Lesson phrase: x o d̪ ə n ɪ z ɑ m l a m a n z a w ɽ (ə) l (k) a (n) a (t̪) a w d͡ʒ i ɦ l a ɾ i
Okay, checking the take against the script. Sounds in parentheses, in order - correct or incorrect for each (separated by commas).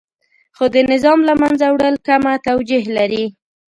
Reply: correct, correct, incorrect, correct